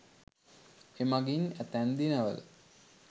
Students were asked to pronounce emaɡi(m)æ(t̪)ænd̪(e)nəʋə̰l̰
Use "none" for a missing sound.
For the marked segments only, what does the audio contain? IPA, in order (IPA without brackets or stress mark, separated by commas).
n, t̪, i